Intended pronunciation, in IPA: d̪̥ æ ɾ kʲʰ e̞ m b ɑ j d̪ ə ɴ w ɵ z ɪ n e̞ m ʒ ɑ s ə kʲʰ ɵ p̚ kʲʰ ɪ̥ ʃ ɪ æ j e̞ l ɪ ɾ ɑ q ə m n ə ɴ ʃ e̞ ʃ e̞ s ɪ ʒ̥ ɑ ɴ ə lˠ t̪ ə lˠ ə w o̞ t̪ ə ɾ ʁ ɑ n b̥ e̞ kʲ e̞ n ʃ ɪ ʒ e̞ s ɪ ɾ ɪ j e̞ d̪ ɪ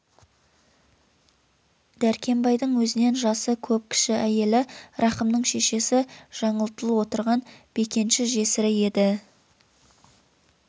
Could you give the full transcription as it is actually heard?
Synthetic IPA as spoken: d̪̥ æ ɾ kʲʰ e̞ m b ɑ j d̪ ə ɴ w ɵ z ɪ n e̞ n ʒ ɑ s ə kʲʰ ɵ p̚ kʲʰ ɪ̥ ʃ ɪ æ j e̞ l ɪ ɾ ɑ q ə m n ə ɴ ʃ e̞ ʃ e̞ s ɪ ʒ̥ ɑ ɴ ə lˠ t̪ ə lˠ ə w o̞ t̪ ə ɾ ʁ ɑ n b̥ e̞ kʲ e̞ n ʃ ɪ ʒ e̞ s ɪ ɾ ɪ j e̞ d̪ ɪ

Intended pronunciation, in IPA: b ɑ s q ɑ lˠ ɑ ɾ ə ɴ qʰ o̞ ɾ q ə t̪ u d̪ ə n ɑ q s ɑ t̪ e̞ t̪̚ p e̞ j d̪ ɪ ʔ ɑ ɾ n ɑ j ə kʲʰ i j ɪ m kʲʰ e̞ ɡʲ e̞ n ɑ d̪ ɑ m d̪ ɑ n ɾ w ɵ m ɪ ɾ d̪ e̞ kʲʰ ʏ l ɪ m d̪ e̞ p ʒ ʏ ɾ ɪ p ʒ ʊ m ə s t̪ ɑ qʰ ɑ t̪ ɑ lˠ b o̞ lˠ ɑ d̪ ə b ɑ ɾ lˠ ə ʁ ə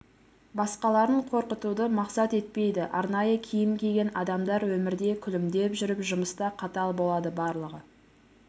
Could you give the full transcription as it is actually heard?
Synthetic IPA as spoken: b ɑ s q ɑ lˠ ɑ ɾ ə ɴ qʰ o̞ ɾ q ə t̪ u d̪ ə m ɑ q s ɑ t̪ e̞ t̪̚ p e̞ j d̪ ɪ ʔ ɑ ɾ n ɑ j ə kʲʰ i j ɪ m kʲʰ e̞ ɡʲ e̞ n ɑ d̪ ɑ m d̪ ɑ ɾ w ɵ m ɪ ɾ d̪ e̞ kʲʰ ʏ l ɪ m d̪ e̞ p ʒ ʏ ɾ ɪ p ʒ ʊ m ə s t̪ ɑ qʰ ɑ t̪ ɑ lˠ b o̞ lˠ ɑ d̪ ə b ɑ ɾ lˠ ə ʁ ə

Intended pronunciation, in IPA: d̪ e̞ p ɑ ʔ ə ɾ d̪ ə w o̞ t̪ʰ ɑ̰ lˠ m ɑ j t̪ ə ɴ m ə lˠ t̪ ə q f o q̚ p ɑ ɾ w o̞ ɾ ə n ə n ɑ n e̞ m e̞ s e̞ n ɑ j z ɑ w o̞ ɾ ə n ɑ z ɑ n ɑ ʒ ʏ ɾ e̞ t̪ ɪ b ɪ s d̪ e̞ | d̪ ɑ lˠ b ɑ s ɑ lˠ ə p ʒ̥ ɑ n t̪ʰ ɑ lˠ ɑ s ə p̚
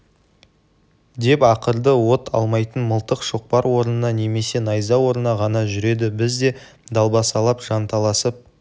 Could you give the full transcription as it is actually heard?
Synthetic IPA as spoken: d̪ e̞ p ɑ q ə ɾ d̪ ə w o̞ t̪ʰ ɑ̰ lˠ m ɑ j t̪ ə n m ə lˠ t̪ ə q ʃ o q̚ p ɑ ɾ w o̞ ɾ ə n ə n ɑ n e̞ m e̞ s e̞ n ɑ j z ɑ w o̞ ɾ ə n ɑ ʁ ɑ n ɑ ʒ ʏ ɾ e̞ d̪ ɪ b ɪ z d̪ e̞ | d̪ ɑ lˠ b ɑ s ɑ lˠ ɑ p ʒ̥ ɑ n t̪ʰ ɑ lˠ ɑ s ə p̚

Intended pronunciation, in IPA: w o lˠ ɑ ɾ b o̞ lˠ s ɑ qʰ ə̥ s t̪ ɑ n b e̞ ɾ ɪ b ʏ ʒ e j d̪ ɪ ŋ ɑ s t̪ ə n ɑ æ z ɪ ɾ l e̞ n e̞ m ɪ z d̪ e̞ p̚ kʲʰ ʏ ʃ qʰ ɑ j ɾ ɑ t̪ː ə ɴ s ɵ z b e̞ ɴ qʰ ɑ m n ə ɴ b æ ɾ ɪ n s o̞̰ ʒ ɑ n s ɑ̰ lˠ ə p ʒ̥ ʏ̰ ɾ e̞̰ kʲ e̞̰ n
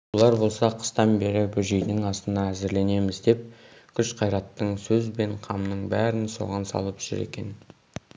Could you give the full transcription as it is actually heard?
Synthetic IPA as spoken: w o lˠ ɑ ɾ b o̞ lˠ s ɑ qʰ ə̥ s t̪ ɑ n b e̞ ɾ ɪ b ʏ ʒ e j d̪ ɪ ŋ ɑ s t̪ ə n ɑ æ z ɪ ɾ l e̞ n e̞ m ɪ z d̪ e̞ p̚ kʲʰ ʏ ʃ qʰ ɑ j ɾ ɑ t̪ː ə ɴ s ɵ z b e̞ ɴ qʰ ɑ m n ə ɴ b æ ɾ ɪ n s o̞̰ ʁ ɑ n s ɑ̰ lˠ ə p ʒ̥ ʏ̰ ɾ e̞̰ kʲ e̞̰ n

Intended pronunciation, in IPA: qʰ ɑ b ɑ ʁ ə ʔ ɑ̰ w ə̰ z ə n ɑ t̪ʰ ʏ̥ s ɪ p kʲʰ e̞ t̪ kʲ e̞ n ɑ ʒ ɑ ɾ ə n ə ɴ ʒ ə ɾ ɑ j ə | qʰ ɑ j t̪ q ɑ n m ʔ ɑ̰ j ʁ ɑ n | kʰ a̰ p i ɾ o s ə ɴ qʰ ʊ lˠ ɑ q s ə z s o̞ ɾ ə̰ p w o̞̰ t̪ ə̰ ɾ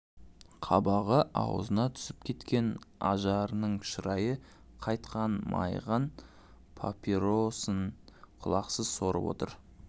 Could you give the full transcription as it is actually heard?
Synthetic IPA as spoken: qʰ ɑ b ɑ ʁ ə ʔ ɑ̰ w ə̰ z ə n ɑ t̪ʰ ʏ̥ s ɪ p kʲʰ e̞ t̪ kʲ e̞ n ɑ ʒ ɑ ɾ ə n ə ɴ ʃ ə ɾ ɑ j ə | qʰ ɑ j t̪ q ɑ n m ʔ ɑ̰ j ʁ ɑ n | pʰ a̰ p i ɾ o s ə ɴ qʰ ʊ lˠ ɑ q s ə z s o̞ ɾ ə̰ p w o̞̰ t̪ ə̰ ɾ

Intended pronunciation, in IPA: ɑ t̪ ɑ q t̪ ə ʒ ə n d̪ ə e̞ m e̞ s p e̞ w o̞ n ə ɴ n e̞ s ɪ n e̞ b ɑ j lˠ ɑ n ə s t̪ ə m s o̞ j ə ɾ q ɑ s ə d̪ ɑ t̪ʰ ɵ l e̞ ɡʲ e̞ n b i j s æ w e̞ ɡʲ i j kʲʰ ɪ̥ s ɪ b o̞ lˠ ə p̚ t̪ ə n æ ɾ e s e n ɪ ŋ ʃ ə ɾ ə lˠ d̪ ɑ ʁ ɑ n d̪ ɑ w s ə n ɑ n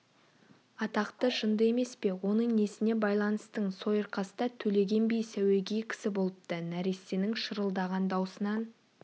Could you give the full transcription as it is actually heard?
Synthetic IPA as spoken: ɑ t̪ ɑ q t̪ ə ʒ ə n d̪ ə e̞ m e̞ s p e̞ w o̞ n ə ɴ n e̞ s ɪ n e̞ b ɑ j lˠ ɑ n ə s t̪ ə ɴ s o̞ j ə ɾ q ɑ s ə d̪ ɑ t̪ʰ ɵ l e̞ ɡʲ e̞ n b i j s æ w e̞ ɡʲ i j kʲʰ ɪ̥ s ɪ b o̞ lˠ ə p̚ t̪ ə n æ ɾ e s e n ɪ ŋ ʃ ə ɾ ə lˠ d̪ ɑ ʁ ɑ n d̪ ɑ w s ə n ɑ n

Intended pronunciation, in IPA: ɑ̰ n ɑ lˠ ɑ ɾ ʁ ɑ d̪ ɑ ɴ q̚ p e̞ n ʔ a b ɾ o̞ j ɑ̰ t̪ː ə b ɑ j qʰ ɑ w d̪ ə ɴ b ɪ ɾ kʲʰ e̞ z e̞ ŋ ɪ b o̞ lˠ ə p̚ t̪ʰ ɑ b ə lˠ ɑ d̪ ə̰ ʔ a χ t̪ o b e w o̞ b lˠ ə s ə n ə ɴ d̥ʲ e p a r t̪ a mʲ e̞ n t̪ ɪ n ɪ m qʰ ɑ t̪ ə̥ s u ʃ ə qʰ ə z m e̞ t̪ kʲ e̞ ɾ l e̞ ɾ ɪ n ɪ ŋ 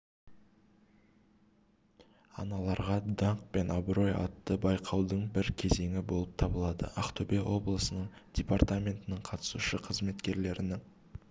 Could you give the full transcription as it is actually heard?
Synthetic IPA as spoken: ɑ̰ n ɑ lˠ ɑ ɾ ʁ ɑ d̪ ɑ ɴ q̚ p e̞ n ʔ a b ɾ o̞ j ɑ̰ t̪ː ə b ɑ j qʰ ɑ w d̪ ə ɴ b ɪ ɾ kʲʰ e̞ z e̞ ŋ ɪ b o̞ lˠ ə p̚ t̪ʰ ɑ b ə lˠ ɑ d̪ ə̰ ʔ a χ t̪ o b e w o̞ b lˠ ə s ə n ə ɴ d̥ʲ e p a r t̪ a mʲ e̞ n t̪ ɪ n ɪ ɴ qʰ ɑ t̪ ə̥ s u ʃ ə qʰ ə z m e̞ t̪ kʲ e̞ ɾ l e̞ ɾ ɪ n ɪ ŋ

